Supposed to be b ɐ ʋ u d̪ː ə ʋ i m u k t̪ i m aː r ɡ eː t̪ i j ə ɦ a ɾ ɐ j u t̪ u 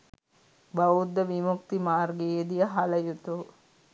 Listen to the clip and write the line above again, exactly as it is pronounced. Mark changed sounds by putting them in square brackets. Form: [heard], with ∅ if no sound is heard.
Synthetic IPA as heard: b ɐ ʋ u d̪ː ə ʋ i m u k t̪ i m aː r ɡ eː [d̪] i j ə ɦ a [l] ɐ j u t̪ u